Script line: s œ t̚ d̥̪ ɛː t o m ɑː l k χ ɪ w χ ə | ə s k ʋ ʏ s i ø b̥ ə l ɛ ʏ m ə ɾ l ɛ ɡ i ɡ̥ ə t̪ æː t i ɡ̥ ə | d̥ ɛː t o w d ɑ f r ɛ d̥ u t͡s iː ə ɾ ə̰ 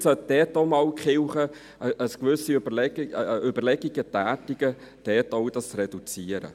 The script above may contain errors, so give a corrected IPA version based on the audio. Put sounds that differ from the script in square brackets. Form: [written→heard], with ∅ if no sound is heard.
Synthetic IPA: s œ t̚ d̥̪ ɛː t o m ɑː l k χ ɪ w χ ə | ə s k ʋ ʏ s i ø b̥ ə l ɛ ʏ [m→b] ə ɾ l ɛ ɡ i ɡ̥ ə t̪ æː t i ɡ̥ ə | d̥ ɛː t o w d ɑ [f→s] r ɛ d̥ u t͡s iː ə ɾ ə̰